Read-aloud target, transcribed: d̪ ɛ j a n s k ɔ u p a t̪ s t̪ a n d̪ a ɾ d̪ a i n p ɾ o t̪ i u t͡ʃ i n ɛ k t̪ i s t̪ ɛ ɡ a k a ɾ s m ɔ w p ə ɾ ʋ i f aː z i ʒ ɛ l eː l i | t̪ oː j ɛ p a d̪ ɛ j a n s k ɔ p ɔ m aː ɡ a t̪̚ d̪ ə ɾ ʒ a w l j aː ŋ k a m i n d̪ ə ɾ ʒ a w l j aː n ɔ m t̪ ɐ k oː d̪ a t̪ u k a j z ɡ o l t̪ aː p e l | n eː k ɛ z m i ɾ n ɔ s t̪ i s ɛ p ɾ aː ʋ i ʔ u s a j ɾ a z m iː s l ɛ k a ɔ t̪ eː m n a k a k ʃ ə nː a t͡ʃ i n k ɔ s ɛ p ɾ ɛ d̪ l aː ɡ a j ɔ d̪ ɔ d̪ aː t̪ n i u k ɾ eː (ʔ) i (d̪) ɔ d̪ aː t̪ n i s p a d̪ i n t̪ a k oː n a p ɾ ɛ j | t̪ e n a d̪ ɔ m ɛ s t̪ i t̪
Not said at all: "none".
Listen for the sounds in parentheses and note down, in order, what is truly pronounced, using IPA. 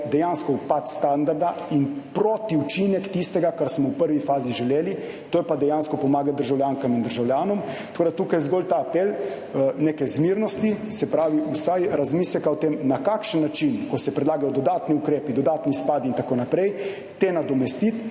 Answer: p, d̪

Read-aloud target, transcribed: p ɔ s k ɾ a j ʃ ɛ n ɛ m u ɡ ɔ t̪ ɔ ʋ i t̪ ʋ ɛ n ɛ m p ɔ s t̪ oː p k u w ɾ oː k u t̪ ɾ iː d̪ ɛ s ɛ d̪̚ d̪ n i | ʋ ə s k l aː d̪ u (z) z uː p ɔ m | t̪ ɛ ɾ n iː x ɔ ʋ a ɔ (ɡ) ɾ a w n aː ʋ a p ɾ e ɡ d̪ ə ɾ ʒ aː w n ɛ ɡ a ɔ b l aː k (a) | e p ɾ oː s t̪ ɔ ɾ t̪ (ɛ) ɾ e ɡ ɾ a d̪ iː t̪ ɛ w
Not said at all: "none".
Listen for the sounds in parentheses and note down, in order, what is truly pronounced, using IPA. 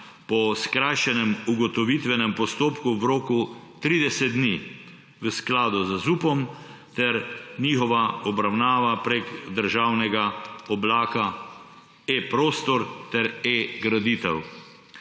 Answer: z, b, a, ɛ

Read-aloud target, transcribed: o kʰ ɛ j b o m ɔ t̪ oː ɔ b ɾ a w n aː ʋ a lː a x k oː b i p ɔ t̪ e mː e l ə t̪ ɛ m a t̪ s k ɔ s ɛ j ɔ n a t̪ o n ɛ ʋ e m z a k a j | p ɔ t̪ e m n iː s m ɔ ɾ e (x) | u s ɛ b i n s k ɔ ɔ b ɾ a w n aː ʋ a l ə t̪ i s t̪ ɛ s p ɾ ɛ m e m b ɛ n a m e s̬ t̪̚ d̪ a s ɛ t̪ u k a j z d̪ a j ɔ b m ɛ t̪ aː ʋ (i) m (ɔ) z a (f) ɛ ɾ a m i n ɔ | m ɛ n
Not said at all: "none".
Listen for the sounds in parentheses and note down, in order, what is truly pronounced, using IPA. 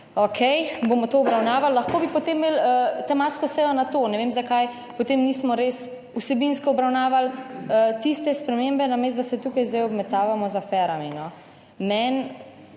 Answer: s, a, ɔ, f

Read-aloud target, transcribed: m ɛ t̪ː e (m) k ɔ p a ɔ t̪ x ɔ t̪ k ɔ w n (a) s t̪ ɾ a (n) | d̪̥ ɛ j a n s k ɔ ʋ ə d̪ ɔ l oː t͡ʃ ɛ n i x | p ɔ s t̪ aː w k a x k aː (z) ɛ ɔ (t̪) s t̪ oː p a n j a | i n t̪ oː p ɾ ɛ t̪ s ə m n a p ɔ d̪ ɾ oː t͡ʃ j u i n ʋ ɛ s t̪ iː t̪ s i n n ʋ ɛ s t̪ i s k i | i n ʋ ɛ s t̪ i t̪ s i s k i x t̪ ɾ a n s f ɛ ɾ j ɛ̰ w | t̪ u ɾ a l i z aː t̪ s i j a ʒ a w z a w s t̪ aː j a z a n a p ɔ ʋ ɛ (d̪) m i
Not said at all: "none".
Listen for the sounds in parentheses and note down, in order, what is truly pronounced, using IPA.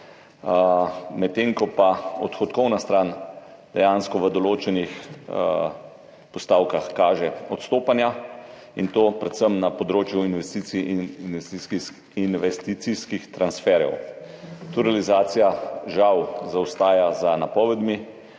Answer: ŋ, a, n, ʒ, t̪, d̪

